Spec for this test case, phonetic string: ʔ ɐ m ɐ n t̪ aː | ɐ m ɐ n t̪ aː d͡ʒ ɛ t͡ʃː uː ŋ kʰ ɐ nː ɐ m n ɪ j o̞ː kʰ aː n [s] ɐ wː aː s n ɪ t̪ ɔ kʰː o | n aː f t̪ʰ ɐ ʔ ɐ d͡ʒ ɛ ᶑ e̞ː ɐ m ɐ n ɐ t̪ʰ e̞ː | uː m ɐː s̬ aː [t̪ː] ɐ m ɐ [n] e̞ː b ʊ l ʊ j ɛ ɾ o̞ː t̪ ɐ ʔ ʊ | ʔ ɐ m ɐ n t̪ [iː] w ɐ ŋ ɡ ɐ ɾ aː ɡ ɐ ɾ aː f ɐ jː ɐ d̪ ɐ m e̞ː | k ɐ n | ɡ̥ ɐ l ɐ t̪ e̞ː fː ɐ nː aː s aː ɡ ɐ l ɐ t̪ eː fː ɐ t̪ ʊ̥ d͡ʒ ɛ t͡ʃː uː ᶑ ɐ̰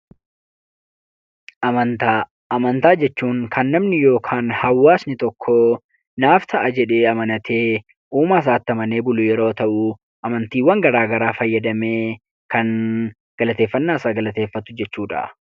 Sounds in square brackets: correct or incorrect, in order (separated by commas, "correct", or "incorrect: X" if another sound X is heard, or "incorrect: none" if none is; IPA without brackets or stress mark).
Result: incorrect: h, correct, correct, correct